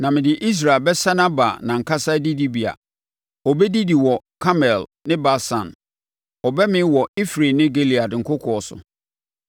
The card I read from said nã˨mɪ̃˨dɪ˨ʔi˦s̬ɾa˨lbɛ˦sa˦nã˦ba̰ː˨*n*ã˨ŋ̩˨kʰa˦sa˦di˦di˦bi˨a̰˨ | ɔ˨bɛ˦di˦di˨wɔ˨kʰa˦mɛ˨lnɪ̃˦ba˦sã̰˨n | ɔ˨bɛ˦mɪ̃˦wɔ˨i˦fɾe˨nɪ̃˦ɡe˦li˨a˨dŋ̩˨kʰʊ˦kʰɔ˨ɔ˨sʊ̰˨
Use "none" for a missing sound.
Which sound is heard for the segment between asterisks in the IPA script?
n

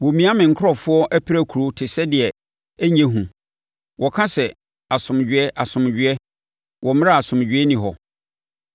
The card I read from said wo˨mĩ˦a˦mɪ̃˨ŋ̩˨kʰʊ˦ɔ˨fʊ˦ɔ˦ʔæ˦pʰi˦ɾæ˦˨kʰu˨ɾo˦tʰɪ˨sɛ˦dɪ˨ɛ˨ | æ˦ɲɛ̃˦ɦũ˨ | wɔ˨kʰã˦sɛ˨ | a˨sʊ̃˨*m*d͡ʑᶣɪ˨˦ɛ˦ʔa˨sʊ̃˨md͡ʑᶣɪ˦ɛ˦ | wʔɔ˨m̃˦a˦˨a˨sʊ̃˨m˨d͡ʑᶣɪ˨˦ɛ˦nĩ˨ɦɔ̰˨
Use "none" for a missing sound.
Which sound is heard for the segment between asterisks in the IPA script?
m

